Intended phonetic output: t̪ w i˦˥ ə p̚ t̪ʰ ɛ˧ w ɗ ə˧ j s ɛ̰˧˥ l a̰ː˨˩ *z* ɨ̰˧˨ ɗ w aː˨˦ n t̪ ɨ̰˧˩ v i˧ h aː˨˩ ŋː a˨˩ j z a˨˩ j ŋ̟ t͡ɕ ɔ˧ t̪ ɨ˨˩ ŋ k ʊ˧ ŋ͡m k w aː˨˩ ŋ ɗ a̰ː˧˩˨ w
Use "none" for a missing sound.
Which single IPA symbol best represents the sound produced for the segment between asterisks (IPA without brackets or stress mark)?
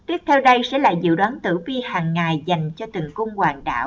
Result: z